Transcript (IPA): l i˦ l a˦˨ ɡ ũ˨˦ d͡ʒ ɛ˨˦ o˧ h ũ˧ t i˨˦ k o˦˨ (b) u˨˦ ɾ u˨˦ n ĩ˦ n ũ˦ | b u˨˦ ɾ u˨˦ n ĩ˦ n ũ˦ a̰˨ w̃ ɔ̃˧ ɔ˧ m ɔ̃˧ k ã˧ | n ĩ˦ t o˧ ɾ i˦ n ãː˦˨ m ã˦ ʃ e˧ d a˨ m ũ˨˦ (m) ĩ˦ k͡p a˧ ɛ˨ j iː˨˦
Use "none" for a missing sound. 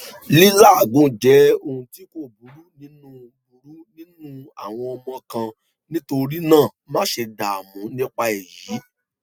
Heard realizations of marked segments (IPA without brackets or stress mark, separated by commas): b, n